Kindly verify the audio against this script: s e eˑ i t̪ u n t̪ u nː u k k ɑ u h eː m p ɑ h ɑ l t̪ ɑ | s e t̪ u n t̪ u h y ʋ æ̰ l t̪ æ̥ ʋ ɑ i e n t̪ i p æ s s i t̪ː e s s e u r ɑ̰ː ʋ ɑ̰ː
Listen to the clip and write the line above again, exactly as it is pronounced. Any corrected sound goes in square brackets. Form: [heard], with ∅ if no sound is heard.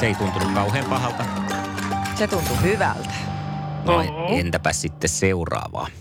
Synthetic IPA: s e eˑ i t̪ u n t̪ u [n] u k k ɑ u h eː m p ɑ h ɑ l t̪ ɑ | s e t̪ u n t̪ u h y ʋ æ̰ l t̪ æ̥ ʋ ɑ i e n t̪ [æ] p æ s s i t̪ː e s s e u r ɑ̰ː ʋ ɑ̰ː